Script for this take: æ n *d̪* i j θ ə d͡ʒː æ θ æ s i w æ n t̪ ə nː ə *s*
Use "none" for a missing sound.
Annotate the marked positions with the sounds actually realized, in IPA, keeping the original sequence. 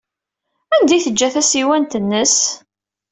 d̪, s

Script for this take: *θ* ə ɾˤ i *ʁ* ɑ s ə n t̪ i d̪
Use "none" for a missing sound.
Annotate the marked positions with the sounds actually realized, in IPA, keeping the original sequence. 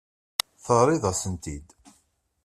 θ, ð

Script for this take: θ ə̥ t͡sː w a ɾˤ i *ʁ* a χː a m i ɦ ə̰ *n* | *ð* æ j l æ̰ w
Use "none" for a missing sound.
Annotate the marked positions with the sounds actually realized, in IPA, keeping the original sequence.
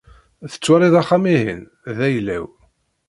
ð, n, ð

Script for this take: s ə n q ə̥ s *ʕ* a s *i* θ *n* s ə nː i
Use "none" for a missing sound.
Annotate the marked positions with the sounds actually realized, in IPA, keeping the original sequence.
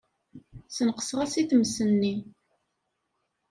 ʁ, i, m

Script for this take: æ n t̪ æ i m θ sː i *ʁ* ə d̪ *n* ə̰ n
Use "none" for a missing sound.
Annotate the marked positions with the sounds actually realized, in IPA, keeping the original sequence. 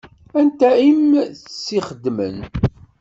χ, m

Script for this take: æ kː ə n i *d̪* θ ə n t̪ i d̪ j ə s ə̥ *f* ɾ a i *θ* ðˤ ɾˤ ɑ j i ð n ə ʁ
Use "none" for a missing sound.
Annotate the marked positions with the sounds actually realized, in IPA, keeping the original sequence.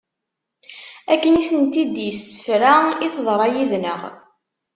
none, f, θ

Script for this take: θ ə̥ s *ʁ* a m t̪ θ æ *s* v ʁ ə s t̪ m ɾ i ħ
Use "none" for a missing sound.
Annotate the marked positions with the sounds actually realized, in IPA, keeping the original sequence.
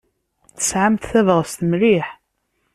ʕ, none

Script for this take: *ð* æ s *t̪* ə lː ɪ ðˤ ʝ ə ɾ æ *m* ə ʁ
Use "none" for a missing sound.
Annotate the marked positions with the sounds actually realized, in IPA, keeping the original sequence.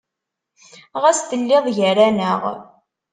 ʁ, t̪, n

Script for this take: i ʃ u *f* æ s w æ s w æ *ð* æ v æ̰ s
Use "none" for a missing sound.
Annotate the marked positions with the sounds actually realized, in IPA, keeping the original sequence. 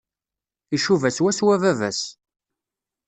v, v

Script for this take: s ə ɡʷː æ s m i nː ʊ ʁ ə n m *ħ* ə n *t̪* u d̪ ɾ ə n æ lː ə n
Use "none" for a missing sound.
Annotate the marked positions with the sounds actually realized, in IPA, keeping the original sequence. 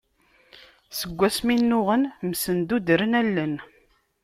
s, d̪

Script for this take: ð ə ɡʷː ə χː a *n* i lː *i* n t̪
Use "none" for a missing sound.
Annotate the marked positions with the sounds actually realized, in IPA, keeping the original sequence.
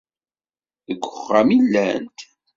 m, æ

